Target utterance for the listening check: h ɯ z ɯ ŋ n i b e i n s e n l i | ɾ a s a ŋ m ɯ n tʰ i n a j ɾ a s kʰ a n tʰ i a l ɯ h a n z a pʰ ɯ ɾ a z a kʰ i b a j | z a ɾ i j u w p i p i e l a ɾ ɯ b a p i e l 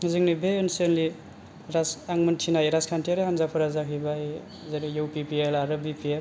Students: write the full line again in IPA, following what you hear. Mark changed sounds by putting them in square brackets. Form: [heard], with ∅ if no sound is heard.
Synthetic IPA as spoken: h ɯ z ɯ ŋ n i b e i n s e n l i | ɾ a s a ŋ m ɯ n tʰ i n a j ɾ a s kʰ a n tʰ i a [ɾ] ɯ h a n z a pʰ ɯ ɾ a z a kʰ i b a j | z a ɾ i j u w p i p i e l a ɾ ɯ b [i] p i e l